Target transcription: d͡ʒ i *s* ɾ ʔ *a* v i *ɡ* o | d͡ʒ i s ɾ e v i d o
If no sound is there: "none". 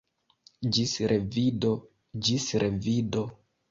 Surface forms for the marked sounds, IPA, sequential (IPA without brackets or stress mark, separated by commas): s, e, d